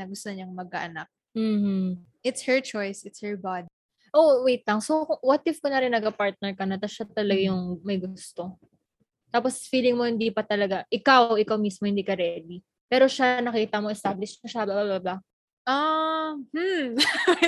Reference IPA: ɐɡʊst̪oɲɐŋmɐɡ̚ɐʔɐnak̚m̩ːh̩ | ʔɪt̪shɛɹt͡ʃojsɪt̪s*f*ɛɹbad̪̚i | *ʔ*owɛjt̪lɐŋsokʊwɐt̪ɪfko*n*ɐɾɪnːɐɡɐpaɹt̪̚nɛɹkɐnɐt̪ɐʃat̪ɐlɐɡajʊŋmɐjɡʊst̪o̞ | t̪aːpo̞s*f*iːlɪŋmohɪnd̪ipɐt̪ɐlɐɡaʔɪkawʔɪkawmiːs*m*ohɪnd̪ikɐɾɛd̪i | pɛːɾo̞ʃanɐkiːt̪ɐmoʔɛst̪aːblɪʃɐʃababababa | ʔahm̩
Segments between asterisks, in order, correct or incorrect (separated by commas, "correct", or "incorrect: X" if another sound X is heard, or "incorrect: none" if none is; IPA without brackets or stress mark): incorrect: h, correct, correct, correct, correct